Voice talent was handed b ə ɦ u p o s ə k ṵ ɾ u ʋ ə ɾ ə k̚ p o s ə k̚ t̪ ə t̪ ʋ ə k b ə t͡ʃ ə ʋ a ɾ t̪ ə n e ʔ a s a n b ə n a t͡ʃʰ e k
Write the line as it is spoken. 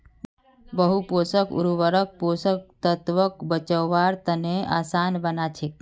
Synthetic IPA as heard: b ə ɦ u p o s ə k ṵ ɾ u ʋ ə ɾ ə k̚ p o s ə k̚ t̪ ə t̪ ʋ ə k b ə t͡ʃ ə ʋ a ɾ t̪ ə n e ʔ a s a n b ə n a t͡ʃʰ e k